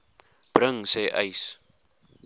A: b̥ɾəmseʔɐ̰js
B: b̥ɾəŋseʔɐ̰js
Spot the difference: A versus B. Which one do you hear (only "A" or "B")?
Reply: B